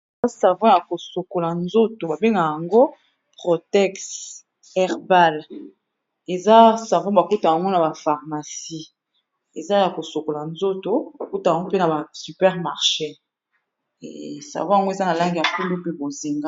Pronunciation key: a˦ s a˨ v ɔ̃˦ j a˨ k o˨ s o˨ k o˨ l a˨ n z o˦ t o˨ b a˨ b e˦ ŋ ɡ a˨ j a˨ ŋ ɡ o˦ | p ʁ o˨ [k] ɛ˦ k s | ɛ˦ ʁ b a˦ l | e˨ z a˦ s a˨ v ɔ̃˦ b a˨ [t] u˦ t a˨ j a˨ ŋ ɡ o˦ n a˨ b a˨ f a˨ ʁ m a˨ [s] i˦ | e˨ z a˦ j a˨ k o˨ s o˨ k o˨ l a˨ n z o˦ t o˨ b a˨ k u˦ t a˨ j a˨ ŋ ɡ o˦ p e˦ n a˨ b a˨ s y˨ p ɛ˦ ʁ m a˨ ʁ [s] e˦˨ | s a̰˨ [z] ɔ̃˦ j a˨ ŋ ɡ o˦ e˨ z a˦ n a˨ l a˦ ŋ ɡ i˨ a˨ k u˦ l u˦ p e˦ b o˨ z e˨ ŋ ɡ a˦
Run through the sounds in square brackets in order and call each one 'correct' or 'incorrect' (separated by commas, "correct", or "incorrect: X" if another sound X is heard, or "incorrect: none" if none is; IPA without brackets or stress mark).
incorrect: t, incorrect: k, correct, incorrect: ʃ, incorrect: v